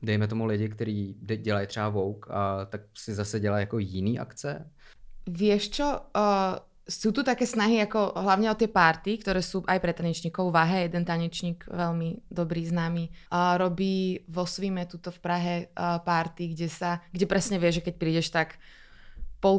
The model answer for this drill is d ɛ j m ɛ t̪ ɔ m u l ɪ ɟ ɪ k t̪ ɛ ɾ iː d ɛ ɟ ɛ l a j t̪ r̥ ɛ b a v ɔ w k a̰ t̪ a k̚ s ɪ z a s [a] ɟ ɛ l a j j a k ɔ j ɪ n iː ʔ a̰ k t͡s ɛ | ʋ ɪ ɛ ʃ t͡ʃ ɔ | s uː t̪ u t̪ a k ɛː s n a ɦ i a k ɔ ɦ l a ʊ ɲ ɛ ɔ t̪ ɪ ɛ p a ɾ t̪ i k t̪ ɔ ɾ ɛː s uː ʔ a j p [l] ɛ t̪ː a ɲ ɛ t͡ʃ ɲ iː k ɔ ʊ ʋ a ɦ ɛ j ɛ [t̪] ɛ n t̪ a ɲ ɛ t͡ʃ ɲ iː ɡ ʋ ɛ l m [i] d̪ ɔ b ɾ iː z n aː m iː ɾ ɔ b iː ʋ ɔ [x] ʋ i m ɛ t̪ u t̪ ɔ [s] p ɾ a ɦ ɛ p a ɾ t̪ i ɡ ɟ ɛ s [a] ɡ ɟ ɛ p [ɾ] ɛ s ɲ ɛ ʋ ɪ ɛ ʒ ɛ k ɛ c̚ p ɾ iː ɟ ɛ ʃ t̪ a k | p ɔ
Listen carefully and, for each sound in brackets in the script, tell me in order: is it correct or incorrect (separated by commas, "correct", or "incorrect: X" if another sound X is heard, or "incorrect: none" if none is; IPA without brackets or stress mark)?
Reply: incorrect: ɛ, incorrect: ɾ, incorrect: d̪, correct, incorrect: s, incorrect: f, correct, correct